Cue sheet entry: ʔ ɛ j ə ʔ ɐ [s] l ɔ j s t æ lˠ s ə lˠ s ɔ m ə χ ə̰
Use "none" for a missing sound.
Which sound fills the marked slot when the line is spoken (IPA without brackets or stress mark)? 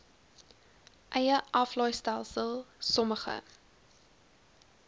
f